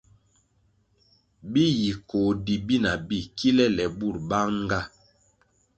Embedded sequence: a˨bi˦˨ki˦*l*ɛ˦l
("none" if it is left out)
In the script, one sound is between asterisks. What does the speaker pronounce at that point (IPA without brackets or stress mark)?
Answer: l